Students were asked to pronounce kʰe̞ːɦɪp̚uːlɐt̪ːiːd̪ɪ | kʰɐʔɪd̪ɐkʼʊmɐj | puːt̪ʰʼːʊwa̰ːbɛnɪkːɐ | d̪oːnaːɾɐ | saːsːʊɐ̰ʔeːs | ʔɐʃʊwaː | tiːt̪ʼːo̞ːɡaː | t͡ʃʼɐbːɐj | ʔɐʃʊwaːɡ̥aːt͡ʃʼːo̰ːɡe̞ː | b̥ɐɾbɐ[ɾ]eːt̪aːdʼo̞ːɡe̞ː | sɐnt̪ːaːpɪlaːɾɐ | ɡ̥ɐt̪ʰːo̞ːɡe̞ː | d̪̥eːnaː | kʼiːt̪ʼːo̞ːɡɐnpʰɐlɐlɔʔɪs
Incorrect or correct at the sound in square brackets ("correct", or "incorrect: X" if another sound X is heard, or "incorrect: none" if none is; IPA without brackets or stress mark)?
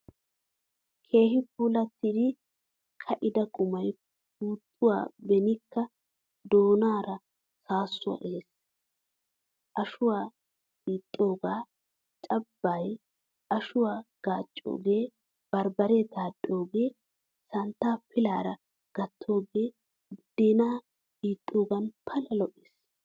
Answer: correct